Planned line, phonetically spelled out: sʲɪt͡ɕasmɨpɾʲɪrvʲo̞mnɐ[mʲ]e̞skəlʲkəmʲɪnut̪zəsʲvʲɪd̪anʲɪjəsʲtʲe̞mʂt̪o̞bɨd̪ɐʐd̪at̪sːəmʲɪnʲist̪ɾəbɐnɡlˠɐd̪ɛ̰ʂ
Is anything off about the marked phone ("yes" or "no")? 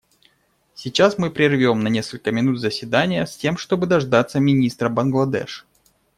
yes